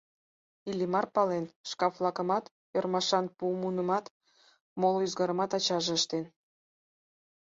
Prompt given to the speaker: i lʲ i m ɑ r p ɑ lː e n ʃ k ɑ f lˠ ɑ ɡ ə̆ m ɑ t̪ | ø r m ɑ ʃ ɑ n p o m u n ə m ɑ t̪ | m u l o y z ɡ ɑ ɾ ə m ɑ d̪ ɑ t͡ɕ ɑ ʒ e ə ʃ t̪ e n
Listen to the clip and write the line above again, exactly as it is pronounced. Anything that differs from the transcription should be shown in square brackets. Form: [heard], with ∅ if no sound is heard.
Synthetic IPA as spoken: i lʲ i m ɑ r p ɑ [l] e n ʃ k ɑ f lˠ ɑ [k] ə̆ m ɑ t̪ | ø r m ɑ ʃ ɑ n p [u] m u n ə m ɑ t̪ | m [o] l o y z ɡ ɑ ɾ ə m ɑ [t̪] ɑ t͡ɕ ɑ ʒ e ə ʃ t̪ e n